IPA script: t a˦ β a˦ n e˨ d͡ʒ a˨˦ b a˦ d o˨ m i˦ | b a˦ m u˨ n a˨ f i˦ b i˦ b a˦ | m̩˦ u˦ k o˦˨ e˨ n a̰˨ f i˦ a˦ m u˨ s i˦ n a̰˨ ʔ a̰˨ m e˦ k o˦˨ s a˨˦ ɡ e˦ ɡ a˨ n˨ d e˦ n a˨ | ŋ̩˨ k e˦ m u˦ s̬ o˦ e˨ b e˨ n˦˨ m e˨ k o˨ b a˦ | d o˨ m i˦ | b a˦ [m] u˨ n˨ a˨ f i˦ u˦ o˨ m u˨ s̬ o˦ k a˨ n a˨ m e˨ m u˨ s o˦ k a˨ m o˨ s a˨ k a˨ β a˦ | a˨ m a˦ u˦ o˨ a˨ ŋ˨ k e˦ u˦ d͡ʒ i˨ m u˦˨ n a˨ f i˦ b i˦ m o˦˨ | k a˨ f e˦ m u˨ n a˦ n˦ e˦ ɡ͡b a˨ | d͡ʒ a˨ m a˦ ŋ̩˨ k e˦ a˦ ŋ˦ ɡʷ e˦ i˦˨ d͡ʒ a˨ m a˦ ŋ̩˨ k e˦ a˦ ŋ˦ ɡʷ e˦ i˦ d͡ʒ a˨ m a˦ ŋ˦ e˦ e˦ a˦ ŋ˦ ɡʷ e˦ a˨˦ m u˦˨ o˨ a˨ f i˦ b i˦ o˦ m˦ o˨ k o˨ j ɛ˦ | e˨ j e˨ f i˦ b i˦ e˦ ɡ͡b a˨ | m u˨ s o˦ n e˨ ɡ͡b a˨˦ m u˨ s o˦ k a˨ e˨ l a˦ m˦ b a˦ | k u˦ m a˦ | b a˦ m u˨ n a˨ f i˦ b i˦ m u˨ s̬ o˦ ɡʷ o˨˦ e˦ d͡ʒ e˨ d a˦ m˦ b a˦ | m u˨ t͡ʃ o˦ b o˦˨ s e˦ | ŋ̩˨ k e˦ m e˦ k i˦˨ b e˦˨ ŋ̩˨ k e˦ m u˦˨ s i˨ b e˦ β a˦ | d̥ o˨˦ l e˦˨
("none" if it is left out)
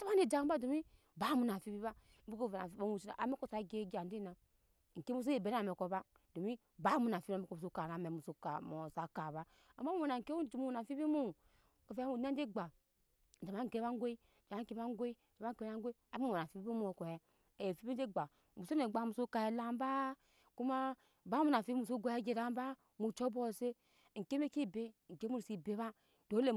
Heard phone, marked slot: m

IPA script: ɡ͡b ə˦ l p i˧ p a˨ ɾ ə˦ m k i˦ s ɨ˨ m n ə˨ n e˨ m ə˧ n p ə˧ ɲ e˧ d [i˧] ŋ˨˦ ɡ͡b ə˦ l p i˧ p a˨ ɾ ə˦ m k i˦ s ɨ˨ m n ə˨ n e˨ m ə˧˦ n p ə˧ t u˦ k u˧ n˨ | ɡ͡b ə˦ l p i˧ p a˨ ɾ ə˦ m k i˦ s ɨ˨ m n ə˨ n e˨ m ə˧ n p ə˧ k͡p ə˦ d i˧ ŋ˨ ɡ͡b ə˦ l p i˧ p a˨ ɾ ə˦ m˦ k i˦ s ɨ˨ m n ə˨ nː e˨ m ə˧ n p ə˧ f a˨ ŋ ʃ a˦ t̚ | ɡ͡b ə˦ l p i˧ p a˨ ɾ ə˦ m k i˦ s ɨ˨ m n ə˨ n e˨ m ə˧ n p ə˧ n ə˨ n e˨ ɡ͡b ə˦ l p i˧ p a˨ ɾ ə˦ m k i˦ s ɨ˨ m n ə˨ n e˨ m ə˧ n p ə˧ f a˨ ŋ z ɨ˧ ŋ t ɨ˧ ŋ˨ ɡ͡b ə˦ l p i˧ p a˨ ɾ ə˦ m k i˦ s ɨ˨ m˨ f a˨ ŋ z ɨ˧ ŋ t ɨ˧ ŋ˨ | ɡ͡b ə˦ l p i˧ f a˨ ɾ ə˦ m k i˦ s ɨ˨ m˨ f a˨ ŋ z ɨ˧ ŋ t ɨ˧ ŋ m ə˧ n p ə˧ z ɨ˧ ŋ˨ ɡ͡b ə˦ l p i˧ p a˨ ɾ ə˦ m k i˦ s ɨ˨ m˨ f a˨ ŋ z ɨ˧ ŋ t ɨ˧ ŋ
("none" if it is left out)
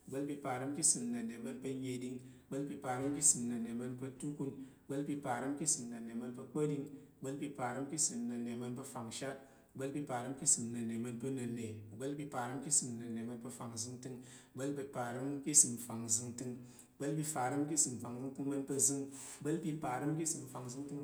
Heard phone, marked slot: i˧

